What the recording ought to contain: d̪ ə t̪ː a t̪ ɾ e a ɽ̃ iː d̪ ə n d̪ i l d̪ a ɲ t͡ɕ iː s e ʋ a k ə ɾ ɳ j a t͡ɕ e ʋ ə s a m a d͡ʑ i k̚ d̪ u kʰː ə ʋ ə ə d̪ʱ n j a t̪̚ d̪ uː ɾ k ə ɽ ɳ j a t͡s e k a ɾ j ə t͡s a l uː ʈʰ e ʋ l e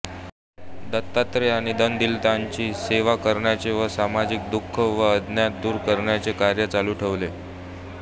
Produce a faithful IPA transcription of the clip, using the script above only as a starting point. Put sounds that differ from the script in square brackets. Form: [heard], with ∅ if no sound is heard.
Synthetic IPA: d̪ ə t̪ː a t̪ ɾ e a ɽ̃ [i] d̪ ə n d̪ i l [t̪] a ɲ t͡ɕ iː s e ʋ a k ə ɾ ɳ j a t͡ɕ e ʋ ə s a m a d͡ʑ i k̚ d̪ u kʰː ə ʋ ə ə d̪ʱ n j a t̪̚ d̪ uː ɾ k ə [ɾ] ɳ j a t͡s e k a ɾ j ə t͡s a l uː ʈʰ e ʋ l e